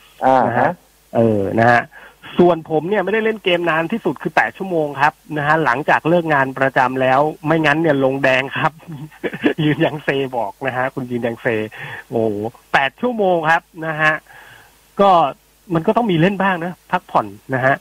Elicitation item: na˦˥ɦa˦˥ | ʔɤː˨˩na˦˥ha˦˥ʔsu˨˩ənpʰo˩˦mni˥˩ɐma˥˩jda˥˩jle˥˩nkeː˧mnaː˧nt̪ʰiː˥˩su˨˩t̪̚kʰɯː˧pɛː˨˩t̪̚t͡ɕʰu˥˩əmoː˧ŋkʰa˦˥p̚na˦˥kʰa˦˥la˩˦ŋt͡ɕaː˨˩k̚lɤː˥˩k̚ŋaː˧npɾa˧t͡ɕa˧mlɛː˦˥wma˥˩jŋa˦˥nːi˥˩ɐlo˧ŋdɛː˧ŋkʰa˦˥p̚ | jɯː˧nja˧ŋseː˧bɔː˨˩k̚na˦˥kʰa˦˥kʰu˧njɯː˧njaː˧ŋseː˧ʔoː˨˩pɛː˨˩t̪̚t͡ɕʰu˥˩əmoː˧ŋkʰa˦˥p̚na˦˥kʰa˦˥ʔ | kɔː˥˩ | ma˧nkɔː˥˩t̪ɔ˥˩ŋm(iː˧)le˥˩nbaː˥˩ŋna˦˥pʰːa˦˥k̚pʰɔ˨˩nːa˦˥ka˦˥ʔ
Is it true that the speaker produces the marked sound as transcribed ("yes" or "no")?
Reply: yes